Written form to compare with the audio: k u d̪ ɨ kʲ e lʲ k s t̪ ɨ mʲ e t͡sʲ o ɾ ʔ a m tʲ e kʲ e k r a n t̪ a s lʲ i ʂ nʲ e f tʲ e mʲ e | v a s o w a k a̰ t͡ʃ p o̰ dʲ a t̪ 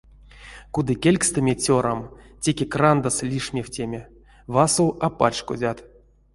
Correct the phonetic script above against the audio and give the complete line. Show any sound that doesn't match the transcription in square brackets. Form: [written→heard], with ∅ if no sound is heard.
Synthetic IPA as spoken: k u d̪ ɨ kʲ e lʲ k s t̪ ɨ mʲ e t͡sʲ o ɾ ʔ a m tʲ e kʲ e k r a n [t̪→d̪] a s lʲ i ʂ [nʲ→mʲ] e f tʲ e mʲ e | v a s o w a [k→p] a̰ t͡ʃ [p→k] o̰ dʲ a t̪